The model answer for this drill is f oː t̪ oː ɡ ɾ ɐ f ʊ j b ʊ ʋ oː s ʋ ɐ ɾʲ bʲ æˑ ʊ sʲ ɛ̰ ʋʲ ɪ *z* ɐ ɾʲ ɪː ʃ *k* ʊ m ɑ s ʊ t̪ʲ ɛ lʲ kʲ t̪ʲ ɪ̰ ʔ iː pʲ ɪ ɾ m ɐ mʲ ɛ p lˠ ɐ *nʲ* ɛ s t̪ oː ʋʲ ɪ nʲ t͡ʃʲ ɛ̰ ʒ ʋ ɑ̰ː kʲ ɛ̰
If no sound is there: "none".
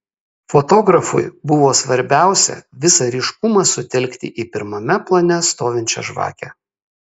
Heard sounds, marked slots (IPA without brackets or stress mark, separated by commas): s, k, nʲ